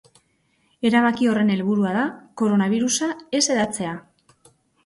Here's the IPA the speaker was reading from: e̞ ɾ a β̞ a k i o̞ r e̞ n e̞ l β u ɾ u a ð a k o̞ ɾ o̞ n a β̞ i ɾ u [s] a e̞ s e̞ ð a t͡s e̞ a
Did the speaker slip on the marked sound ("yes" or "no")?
no